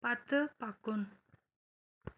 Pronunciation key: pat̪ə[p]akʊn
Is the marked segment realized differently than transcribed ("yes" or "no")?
no